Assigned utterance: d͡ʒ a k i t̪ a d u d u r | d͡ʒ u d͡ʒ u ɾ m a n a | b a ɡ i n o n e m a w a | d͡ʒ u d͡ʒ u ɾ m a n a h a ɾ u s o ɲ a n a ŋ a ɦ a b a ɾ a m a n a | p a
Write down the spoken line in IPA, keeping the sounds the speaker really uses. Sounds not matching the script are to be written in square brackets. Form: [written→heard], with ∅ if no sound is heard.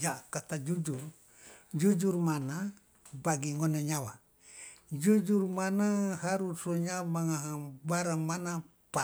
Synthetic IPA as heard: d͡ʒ a k [i→a] t̪ a [d→d͡ʒ] u [d→d͡ʒ] u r | d͡ʒ u d͡ʒ u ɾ m a n a | b a ɡ i [n→ŋ] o n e [m→ɲ] a w a | d͡ʒ u d͡ʒ u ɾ m a n a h a ɾ u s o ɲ a [n→m] a ŋ a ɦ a b a ɾ a m a n a | p a